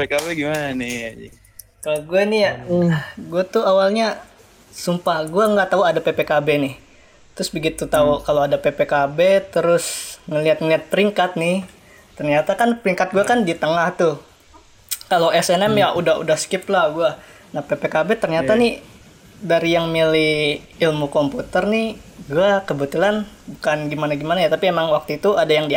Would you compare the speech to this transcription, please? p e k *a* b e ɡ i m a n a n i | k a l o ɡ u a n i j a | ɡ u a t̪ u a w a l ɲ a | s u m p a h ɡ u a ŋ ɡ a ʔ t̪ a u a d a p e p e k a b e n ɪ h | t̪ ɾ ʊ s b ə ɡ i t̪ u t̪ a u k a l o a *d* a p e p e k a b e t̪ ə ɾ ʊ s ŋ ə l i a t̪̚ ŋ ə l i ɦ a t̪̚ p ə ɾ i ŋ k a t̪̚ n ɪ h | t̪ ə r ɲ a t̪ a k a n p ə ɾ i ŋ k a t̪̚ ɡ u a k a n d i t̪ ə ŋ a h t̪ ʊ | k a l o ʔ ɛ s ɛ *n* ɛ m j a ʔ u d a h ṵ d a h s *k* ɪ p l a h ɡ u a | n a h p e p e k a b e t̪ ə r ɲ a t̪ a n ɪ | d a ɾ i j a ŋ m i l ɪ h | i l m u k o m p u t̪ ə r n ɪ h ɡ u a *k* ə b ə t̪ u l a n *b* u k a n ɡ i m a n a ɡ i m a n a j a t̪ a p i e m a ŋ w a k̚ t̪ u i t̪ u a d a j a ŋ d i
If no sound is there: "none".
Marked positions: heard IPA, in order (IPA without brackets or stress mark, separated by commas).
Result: a, d, n, k, k, b